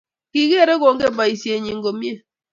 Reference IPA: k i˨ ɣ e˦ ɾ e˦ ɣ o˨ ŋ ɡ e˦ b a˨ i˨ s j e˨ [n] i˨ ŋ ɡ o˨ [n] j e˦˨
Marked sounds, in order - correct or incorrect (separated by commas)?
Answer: incorrect, incorrect